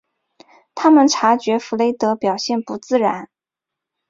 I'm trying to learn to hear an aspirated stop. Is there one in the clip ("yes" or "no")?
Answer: yes